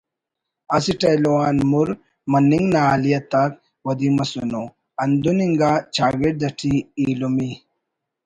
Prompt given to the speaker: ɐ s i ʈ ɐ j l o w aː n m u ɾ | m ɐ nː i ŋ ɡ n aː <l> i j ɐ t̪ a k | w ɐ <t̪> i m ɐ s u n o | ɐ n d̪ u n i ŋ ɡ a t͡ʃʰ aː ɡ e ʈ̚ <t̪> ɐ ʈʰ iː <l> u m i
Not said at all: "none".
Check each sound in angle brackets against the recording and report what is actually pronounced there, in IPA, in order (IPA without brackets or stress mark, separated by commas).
l, d̪, d̪, l